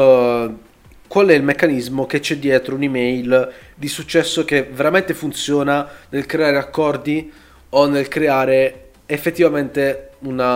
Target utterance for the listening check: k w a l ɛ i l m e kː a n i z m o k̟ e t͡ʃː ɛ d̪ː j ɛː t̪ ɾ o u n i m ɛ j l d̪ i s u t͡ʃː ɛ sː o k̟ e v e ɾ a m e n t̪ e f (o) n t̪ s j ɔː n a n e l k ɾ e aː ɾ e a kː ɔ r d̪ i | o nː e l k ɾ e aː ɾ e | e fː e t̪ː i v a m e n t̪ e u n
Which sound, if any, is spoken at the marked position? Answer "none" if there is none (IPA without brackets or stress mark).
u